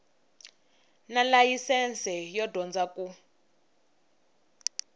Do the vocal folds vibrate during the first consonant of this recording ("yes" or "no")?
yes